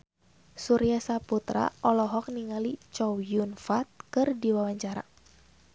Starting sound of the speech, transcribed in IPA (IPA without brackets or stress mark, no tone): s